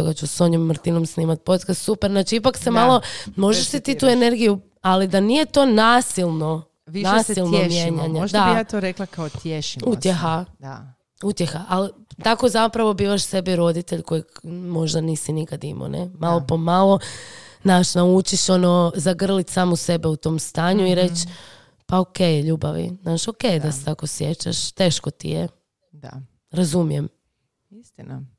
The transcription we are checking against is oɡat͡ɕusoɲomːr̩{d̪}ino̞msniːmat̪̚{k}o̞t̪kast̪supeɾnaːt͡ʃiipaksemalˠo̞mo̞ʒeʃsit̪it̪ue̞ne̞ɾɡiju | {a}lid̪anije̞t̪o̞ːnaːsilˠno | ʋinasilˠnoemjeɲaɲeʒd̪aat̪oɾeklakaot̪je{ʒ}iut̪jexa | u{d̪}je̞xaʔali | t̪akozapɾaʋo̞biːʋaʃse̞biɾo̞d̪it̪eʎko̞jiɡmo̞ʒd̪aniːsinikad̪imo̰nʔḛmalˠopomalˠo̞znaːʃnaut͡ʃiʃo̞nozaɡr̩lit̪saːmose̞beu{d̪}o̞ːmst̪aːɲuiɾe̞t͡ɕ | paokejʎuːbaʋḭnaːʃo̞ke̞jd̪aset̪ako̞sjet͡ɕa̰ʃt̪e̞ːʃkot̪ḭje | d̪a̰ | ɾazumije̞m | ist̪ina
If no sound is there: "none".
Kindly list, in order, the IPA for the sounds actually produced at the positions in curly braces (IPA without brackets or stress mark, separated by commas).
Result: t̪, p, a, ʃ, t̪, t̪